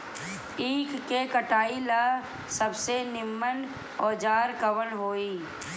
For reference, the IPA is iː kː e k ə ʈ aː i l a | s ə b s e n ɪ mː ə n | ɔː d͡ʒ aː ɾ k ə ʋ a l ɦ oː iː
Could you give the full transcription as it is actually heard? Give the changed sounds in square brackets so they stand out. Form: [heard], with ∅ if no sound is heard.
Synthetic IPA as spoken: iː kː e k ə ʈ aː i l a | s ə b s e n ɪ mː ə n | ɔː d͡ʒ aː ɾ k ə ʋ [ə] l ɦ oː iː